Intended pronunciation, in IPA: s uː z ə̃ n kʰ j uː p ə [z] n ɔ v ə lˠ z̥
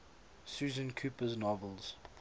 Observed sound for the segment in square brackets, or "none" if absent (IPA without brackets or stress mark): z